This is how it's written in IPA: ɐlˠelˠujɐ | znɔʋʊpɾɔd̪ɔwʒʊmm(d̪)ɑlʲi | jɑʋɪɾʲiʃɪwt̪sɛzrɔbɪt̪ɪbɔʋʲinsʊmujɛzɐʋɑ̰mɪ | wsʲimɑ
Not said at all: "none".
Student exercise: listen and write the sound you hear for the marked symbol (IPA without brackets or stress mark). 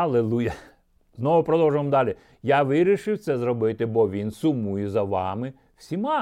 d̪